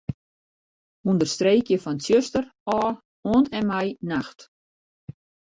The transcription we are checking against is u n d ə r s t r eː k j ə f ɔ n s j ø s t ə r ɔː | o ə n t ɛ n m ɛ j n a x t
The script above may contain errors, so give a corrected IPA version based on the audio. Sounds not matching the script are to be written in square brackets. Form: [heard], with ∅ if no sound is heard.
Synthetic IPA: u n d ə r s t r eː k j ə f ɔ n s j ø s t ə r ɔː | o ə n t ɛ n m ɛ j n a x t